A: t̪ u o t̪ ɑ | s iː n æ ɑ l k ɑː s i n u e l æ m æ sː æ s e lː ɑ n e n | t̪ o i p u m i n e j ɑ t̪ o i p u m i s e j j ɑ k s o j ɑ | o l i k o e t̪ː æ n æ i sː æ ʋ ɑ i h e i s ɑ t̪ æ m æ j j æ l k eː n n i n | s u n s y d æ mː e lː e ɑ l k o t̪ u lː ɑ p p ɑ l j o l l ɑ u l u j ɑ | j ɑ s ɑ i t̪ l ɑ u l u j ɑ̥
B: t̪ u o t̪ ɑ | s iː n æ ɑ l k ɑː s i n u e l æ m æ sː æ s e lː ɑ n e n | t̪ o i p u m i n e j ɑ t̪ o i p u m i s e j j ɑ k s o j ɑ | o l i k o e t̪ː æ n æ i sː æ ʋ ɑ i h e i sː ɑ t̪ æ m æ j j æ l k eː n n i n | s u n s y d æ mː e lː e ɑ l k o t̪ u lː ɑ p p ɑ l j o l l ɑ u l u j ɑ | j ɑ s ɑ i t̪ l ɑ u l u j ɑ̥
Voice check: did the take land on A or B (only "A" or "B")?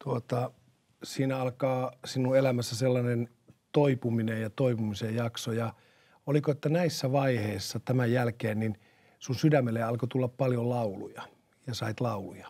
B